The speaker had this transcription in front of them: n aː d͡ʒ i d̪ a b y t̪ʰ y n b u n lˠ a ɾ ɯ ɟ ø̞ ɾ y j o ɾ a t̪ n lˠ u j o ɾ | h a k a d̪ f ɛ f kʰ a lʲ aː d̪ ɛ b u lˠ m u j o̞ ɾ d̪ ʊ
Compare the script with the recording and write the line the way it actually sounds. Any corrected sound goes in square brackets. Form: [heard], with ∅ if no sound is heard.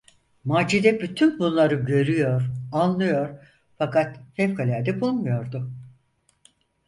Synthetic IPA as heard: [m] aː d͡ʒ i d̪ [ɛ] b y t̪ʰ y n b u n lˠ a ɾ ɯ ɟ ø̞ ɾ y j o ɾ a [∅] n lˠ [ɯ] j o ɾ | [f] a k a [t̪] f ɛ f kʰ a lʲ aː d̪ ɛ b u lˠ m u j o̞ ɾ d̪ ʊ

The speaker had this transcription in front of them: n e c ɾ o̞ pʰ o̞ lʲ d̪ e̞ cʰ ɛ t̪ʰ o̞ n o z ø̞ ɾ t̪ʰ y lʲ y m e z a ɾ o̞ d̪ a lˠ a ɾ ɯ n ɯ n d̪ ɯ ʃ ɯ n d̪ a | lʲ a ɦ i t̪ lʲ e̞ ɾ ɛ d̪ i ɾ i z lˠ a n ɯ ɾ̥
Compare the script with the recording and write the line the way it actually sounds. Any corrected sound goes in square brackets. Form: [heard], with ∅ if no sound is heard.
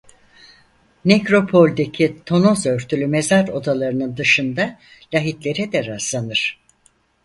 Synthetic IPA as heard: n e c ɾ o̞ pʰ o̞ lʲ d̪ e̞ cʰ [i] t̪ʰ o̞ n o z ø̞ ɾ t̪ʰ y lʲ y m e z a ɾ o̞ d̪ a lˠ a ɾ ɯ n ɯ n d̪ ɯ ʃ ɯ n d̪ a | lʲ a ɦ i t̪ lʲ e̞ ɾ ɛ d̪ [ɛ] ɾ [a] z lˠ a n ɯ ɾ̥

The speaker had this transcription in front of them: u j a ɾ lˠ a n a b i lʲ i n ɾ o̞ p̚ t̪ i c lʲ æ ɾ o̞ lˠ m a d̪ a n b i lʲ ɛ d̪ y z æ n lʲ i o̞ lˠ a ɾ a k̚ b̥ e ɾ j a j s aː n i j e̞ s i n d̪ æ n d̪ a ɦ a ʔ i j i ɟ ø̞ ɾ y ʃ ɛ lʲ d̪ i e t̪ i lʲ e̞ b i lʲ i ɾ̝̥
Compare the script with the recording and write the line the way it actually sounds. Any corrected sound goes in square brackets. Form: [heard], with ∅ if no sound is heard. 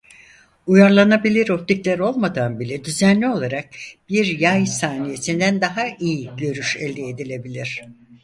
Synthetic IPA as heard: u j a ɾ lˠ a n a b i lʲ i [∅] ɾ o̞ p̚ t̪ i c lʲ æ ɾ o̞ lˠ m a d̪ a n b i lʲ ɛ d̪ y z æ n lʲ i o̞ lˠ a ɾ a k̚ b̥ [i] ɾ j a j s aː n i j e̞ s i n d̪ æ n d̪ a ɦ a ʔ i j i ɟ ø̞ ɾ y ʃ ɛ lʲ d̪ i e [d̪] i lʲ e̞ b i lʲ i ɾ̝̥

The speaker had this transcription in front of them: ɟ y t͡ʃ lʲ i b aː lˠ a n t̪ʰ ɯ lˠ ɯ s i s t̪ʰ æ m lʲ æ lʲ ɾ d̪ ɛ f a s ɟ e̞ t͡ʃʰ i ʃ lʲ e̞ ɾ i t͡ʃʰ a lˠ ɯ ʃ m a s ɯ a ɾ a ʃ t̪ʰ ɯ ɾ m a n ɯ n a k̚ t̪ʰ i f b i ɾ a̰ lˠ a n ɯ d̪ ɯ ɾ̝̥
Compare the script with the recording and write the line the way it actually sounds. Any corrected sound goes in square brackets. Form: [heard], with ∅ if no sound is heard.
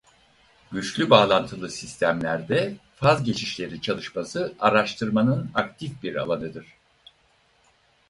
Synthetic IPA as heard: ɟ y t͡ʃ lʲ [y] b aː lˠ a n t̪ʰ ɯ lˠ ɯ s i s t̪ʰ æ m lʲ æ [∅] ɾ d̪ ɛ f a [z] ɟ e̞ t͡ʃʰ i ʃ lʲ e̞ ɾ i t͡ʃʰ a lˠ ɯ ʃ m a s ɯ a ɾ a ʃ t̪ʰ ɯ ɾ m a n ɯ n a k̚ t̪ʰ i f b i ɾ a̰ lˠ a n ɯ d̪ ɯ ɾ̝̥

